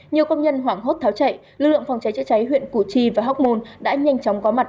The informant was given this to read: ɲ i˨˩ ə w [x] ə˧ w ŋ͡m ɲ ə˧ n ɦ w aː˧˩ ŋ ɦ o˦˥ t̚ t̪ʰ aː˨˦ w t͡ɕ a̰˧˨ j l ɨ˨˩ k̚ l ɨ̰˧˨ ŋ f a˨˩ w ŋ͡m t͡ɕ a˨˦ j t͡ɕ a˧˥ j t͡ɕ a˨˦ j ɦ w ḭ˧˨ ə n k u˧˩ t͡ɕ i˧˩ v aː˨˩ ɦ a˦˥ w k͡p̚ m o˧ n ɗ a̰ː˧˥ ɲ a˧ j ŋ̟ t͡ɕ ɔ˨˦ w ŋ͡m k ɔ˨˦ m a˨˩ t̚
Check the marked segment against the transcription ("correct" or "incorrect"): incorrect